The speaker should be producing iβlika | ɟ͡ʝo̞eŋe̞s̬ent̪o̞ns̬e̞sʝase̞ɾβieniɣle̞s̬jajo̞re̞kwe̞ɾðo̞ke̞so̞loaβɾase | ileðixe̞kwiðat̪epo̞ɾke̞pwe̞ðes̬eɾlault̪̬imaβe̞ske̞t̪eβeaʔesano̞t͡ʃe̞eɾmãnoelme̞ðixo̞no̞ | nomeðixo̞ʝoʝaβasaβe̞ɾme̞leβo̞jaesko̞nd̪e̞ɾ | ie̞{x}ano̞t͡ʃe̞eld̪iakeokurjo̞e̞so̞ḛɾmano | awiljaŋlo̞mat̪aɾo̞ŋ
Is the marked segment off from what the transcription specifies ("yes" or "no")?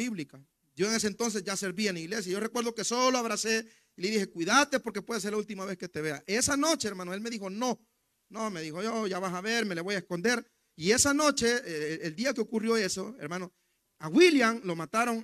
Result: yes